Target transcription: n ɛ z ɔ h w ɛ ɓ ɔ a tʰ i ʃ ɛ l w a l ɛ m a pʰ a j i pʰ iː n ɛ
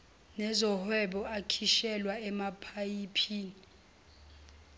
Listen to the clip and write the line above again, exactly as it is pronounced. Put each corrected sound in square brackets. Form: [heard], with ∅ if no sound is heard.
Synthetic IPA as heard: n ɛ z ɔ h w ɛ ɓ ɔ a [kʰ] i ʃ ɛ l w a [∅] ɛ m a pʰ a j i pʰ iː n [i]